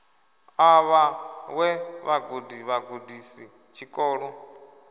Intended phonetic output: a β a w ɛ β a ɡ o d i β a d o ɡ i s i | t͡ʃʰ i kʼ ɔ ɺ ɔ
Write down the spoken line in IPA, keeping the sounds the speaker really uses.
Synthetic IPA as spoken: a β a w ɛ β a ɡ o d i β a ɡ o d i s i | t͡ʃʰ i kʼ ɔː ɺ ɔ